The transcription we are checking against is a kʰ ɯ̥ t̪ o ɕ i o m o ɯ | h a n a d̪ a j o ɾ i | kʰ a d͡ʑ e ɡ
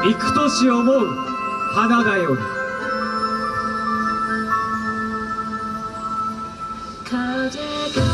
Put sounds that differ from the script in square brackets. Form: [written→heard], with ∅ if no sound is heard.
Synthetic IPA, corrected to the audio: [a→i] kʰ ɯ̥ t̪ o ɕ i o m o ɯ | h a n a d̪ a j o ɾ i | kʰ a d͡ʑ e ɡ